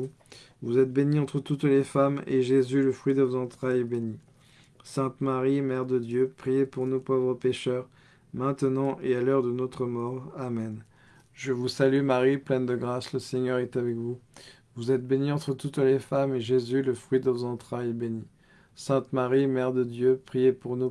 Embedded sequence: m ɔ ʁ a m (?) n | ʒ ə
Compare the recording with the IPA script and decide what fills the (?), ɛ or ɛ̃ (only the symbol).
ɛ